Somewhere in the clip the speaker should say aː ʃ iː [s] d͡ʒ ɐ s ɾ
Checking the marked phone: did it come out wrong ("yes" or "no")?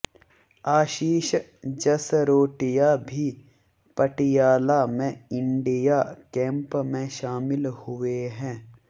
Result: yes